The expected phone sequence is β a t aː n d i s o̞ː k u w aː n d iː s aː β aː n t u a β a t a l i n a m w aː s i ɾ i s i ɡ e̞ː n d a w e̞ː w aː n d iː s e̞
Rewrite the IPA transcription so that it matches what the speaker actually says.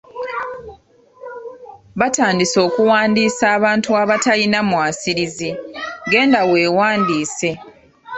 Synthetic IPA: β a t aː n d i s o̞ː k u w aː n d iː s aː β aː n t u a β a t a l i n a m w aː s i ɾ i z i ɡ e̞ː n d a w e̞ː w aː n d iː s e̞

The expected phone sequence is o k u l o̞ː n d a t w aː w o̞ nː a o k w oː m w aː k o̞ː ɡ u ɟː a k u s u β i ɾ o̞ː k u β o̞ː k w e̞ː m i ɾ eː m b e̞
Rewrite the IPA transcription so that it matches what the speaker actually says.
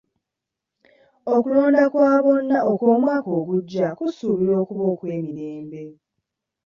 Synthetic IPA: o k u l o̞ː n d a k w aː β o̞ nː a o k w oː m w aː k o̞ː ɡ u ɟː a k u s u β i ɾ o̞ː k u β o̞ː k w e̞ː m i ɾ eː m b e̞

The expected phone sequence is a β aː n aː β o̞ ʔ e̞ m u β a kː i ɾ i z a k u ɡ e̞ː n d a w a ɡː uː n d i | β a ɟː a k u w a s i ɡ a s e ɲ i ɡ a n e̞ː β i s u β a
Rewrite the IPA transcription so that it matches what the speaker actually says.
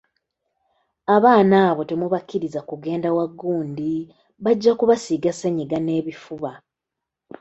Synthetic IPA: a β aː n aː β o̞ t e̞ m u β a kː i ɾ i z a k u ɡ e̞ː n d a w a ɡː uː n d i | β a ɟː a k u β a s i ɡ a s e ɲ i ɡ a n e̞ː β i f u β a

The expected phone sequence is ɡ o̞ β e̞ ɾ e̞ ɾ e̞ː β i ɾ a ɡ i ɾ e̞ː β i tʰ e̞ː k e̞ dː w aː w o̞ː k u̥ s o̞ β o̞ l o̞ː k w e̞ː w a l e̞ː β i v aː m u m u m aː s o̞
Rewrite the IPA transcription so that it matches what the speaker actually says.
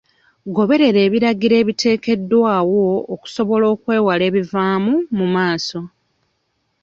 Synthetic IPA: ɡ o̞ β e̞ ɾ e̞ ɾ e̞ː β i ɾ a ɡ i ɾ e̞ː β i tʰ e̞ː k e̞ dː w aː w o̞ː k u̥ s o̞ β o̞ l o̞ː k w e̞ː w a l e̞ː β i v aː m u m u m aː s o̞

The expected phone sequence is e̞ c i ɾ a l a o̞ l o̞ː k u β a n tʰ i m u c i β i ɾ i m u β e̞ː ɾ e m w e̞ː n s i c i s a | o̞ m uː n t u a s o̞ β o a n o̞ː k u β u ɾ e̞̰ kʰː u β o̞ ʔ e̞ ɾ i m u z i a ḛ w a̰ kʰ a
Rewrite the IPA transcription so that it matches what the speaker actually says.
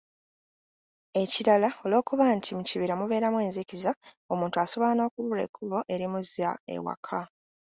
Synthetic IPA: e̞ c i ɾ a l a o̞ l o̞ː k u β a n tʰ i m u c i β i ɾ a m u β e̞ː ɾ a m w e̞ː n z i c i z a | o̞ m uː n t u a s o̞ β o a n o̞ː k u β u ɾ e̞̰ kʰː u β o̞ ʔ e̞ ɾ i m u z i a ḛ w a̰ kʰ a

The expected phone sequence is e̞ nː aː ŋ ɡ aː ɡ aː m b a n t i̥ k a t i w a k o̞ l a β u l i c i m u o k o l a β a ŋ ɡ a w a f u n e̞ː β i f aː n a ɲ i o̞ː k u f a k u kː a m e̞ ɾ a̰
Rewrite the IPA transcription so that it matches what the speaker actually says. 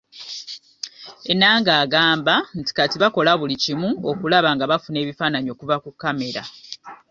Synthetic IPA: e̞ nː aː ŋ ɡ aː ɡ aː m b a n t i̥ k a t i β a k o̞ l a β u l i c i m u o k u l a β a ŋ ɡ a β a f u n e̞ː β i f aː n a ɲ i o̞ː k u v a k u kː a m e̞ ɾ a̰

